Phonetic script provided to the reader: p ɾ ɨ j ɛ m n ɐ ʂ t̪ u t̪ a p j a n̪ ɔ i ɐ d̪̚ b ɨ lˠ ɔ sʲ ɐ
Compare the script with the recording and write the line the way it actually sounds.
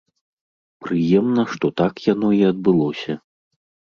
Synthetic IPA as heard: p ɾ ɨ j ɛ m n ɐ ʂ t̪ ɔ t̪ a k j a n̪ ɔ i ɐ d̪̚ b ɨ lˠ ɔ sʲ ɐ

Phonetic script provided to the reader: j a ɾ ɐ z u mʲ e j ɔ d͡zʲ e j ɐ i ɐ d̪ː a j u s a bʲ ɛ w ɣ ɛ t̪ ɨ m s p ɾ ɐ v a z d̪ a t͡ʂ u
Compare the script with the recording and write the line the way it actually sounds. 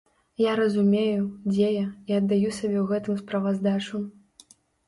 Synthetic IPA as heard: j a ɾ ɐ z u mʲ e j u d͡zʲ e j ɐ i ɐ d̪ː a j u s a bʲ ɛ w ɣ ɛ t̪ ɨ m s p ɾ ɐ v a z d̪ a t͡ʂ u

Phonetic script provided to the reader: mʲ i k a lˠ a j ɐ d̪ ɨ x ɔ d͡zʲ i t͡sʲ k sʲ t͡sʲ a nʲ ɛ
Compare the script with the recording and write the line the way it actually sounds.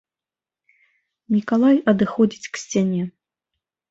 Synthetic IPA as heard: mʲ i k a lˠ a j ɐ d̪ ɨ x ɔ d͡zʲ i t͡sʲ k sʲ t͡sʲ a nʲ ɛ

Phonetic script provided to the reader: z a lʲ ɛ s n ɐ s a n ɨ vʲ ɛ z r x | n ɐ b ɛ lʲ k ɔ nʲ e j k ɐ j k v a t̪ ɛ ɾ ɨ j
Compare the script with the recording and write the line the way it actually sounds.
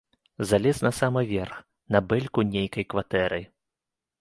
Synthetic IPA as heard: z a lʲ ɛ s n ɐ s a m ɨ vʲ ɛ r x | n ɐ b ɛ lʲ k u nʲ e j k ɐ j k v a t̪ ɛ ɾ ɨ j

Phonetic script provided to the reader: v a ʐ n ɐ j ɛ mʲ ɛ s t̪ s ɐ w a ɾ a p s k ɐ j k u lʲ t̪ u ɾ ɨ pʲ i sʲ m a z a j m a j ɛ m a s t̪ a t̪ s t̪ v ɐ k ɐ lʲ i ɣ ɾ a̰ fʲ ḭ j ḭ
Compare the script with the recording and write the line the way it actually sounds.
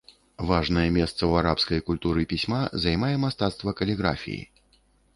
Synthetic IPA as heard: v a ʐ n ɐ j ɛ mʲ ɛ s t̪ s ɐ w a ɾ a p s k ɐ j k u lʲ t̪ u ɾ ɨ pʲ i sʲ m a z a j m a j ɛ m a s t̪ a t̪ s t̪ v ɐ k ɐ lʲ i ɣ ɾ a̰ fʲ ḭ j ḭ

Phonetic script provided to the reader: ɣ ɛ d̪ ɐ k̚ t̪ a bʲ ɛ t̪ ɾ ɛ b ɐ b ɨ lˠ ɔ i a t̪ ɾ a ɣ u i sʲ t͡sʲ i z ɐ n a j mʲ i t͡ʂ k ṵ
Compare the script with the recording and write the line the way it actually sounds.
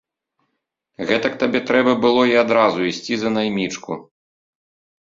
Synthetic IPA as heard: ɣ ɛ t̪ ɐ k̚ t̪ a bʲ ɛ t̪ ɾ ɛ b ɐ b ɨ lˠ ɔ i a d̪ ɾ a z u i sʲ t͡sʲ i z ɐ n a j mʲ i t͡ʂ k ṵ

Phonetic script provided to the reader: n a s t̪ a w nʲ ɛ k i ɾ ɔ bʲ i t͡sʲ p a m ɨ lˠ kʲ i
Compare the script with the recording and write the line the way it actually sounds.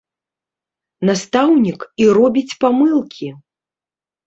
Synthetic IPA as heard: n a s t̪ a w nʲ i k i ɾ ɔ bʲ i t͡sʲ p a m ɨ lˠ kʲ i

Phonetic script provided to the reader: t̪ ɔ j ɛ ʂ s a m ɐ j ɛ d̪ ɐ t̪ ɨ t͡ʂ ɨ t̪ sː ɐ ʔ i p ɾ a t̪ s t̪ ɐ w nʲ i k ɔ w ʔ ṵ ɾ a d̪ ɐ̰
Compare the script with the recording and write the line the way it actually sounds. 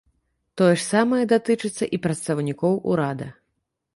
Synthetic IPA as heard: t̪ ɔ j ɛ ʂ s a m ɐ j ɛ d̪ a t̪ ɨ t͡ʂ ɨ t̪ sː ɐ ʔ i p ɾ ɐ t̪ s t̪ ɐ w nʲ i k ɔ w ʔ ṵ ɾ a d̪ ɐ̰

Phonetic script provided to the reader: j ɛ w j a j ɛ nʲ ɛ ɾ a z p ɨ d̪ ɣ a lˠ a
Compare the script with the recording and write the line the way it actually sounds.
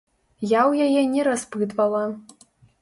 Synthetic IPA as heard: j a w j a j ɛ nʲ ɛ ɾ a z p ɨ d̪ v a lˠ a

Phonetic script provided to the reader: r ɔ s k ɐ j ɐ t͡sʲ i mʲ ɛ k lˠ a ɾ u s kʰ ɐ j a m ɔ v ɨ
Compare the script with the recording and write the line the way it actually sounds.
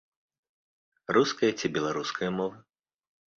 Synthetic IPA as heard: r u s k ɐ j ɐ t͡sʲ i bʲ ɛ lˠ a ɾ u s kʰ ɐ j ɐ m ɔ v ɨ

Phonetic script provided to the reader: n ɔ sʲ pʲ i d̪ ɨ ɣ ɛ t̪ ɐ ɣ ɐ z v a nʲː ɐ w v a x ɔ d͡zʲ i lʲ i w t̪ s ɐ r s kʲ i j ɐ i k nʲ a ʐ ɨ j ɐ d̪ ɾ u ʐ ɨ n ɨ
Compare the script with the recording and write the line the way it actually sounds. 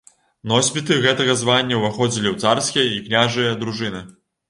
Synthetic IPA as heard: n ɔ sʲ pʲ i t̪ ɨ ɣ ɛ t̪ ɐ ɣ ɐ z v a nʲː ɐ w v a x ɔ d͡zʲ i lʲ i w t̪ s a r s kʲ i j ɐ i k nʲ a ʐ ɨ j ɐ d̪ ɾ u ʐ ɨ n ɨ

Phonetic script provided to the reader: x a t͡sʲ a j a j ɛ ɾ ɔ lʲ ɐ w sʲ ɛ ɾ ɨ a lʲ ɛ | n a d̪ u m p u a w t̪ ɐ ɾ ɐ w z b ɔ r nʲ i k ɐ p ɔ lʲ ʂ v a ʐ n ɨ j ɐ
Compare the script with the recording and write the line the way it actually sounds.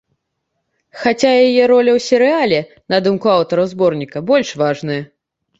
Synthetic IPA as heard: x a t͡sʲ a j a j ɛ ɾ ɔ lʲ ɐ w sʲ ɛ ɾ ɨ a lʲ ɛ | n ɐ d̪ u m k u a w t̪ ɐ ɾ ɐ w z b ɔ r nʲ i k ɐ b ɔ lʲ ʂ v a ʐ n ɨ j ɐ

